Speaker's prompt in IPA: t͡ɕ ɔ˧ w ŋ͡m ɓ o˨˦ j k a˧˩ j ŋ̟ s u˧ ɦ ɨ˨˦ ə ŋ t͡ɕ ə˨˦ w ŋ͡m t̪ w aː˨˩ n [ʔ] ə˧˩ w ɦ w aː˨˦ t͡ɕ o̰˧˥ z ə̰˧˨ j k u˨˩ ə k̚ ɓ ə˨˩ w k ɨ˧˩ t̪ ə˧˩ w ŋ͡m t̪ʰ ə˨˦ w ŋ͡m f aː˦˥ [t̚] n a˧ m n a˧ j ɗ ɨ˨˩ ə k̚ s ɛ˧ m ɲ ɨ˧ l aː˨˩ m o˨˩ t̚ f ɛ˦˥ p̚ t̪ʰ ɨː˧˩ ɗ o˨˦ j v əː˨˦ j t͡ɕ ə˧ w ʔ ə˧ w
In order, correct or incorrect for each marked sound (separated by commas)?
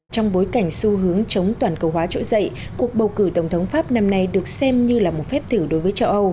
incorrect, incorrect